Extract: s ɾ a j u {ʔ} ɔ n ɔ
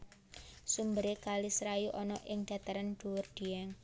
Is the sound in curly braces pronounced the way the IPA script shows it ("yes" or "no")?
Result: yes